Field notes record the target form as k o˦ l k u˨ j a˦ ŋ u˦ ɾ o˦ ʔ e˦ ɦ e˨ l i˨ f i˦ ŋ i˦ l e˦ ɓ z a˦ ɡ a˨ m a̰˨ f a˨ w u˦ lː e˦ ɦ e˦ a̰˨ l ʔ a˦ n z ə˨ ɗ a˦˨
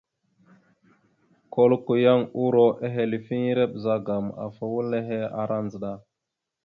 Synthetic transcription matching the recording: k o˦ l k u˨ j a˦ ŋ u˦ ɾ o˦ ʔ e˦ ɦ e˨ l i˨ f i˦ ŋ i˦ ɾ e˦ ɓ z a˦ ɡ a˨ m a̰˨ f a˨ w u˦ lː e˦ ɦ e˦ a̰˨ ɾ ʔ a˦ n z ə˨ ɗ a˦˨

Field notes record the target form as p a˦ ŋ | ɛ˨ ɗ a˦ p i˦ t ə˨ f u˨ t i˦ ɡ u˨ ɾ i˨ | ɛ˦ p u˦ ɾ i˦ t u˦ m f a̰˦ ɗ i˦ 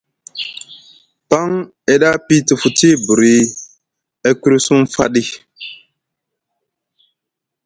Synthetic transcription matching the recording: p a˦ ŋ | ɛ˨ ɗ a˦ p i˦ t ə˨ f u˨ t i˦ b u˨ ɾ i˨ | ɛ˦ k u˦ ɾ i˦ s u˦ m f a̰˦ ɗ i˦

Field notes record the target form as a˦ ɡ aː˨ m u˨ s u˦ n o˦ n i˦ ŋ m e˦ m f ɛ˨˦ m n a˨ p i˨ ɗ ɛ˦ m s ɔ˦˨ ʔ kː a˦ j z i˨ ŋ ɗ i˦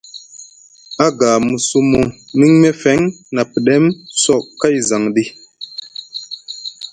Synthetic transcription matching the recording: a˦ ɡ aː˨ m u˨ s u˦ m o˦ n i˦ ŋ m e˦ f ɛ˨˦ ŋ n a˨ p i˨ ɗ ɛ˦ m s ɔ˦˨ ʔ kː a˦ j z a˨ ŋ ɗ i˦

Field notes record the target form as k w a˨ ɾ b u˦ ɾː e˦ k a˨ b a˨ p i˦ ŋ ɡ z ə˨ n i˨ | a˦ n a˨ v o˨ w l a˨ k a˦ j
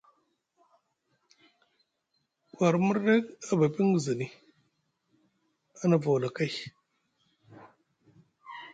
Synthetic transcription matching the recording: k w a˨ ɾ m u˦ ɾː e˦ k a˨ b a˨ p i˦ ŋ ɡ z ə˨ n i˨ | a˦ n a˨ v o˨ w l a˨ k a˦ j

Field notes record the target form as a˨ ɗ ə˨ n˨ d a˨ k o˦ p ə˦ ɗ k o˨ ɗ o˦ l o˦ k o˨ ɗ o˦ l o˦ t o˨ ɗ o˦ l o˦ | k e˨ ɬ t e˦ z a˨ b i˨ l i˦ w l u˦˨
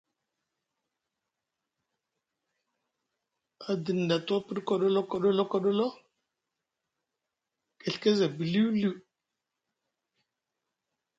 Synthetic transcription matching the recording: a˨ d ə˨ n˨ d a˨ t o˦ p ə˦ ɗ k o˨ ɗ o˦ l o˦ k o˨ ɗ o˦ l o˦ k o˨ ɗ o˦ l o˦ | k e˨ ɬ k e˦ z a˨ b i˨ l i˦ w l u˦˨

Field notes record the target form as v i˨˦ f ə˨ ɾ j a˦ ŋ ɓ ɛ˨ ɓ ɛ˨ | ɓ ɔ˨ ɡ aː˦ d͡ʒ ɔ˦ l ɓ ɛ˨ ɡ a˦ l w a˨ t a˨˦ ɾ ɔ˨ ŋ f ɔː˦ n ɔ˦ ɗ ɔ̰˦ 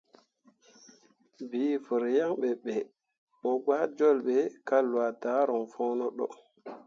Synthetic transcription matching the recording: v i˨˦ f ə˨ ɾ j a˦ ŋ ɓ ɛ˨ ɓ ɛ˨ | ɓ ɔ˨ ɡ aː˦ d͡ʒ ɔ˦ l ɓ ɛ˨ k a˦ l w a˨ t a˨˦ ɾ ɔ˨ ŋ f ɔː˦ n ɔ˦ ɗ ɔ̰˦

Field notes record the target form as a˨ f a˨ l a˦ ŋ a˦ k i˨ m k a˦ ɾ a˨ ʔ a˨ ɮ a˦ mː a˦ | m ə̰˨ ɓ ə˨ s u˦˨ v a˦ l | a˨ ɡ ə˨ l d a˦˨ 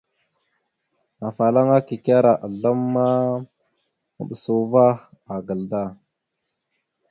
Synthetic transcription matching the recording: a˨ f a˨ l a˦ ŋ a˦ k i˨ k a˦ ɾ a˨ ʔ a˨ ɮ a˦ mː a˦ | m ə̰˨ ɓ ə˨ s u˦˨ v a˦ | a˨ ɡ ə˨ l d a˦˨

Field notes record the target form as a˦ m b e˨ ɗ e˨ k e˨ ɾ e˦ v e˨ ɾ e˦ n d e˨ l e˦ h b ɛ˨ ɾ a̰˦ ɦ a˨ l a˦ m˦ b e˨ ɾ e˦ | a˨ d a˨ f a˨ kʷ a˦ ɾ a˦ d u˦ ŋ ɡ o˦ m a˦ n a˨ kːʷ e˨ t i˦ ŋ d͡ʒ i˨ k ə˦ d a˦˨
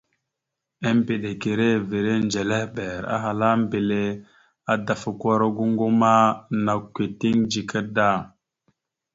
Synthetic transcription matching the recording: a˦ m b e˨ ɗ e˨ k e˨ ɾ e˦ v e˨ ɾ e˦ n d͡ʒ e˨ l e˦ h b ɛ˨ ɾ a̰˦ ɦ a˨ l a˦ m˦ b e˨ l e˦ | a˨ d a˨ f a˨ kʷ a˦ ɾ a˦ ɡ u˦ ŋ ɡ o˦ m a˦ n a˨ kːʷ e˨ t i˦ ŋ d͡ʒ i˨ k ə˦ d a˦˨

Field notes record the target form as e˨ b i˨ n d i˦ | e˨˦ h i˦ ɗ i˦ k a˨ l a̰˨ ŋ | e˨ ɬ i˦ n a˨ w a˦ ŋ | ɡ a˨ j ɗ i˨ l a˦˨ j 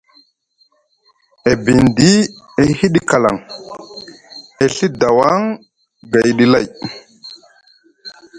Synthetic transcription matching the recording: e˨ b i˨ n d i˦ | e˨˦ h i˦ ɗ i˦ k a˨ l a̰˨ ŋ | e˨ ɬ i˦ d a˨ w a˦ ŋ | ɡ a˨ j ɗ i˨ l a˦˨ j

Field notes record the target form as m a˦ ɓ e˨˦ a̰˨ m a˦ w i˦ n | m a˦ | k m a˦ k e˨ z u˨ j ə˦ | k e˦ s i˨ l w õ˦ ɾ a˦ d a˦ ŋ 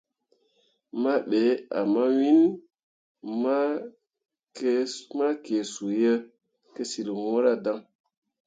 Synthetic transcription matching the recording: m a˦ ɓ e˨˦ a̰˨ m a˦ w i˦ n | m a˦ | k m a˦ k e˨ s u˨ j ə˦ | k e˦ s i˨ l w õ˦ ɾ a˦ d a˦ ŋ

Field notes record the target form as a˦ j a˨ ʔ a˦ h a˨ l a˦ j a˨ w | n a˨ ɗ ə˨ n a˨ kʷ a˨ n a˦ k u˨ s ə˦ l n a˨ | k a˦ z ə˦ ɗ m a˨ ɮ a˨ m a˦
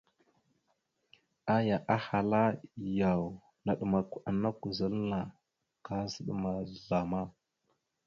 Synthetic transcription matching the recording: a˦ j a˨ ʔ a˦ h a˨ l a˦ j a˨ w | n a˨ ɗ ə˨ m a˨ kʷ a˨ n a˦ k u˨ z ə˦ l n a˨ | k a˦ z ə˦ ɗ m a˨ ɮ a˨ m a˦

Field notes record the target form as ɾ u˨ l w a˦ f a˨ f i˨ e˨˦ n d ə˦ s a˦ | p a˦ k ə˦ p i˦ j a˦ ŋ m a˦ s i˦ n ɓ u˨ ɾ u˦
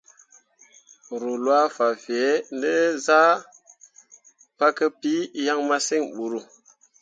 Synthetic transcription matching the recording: ɾ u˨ l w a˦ f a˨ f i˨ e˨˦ n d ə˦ z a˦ | p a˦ k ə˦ p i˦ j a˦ ŋ m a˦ s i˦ ŋ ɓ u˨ ɾ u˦

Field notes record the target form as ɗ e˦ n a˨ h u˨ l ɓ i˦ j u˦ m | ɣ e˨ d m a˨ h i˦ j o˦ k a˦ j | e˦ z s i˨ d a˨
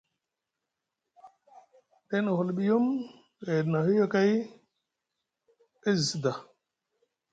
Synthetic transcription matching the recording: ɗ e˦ n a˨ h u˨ l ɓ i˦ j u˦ m | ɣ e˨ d n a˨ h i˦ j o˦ k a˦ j | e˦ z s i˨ d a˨

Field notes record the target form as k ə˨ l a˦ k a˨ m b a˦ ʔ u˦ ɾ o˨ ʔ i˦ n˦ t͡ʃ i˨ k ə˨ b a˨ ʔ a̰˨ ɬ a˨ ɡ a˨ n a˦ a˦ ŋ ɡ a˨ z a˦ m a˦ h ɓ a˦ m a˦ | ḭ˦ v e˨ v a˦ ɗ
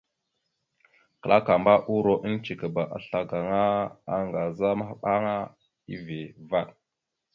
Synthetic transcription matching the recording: k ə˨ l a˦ k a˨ m b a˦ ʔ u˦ ɾ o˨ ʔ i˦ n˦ t͡ʃ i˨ k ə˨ b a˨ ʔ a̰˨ ɬ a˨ ɡ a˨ ŋ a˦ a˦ ŋ ɡ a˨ z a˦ m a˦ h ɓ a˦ ŋ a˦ | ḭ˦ v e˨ v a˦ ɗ

